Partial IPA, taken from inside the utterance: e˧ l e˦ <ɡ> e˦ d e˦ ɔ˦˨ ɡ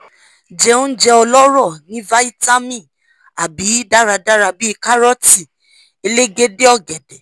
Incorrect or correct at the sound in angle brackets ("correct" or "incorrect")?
correct